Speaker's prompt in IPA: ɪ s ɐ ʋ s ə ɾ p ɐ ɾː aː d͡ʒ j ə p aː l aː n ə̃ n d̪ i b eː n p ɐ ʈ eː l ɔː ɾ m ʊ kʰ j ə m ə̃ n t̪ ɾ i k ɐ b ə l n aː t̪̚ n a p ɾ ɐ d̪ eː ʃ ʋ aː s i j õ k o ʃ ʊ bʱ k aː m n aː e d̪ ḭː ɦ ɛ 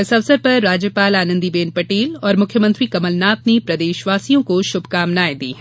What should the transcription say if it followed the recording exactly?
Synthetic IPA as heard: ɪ s ɐ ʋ s ə ɾ p ɐ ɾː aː d͡ʒ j ə p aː l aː n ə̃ n d̪ i b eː n p ɐ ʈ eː l ɔː ɾ m ʊ kʰ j ə m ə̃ n t̪ ɾ i k ɐ m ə l n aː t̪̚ n e p ɾ ɐ d̪ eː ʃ ʋ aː s i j õ k o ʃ ʊ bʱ k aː m n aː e d̪ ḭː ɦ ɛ